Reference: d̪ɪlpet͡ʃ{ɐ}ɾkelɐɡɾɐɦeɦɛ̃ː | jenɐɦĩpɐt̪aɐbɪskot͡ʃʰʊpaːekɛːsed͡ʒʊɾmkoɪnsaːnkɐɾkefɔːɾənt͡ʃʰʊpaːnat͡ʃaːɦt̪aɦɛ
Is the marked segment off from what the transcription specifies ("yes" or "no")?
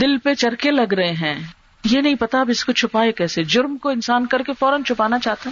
no